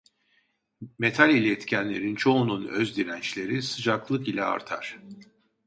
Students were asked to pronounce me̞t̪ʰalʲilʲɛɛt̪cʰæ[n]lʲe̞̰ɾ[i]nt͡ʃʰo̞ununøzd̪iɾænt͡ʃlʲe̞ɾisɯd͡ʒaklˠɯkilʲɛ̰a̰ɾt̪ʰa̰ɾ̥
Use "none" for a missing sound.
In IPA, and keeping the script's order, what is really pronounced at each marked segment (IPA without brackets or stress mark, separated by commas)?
n, i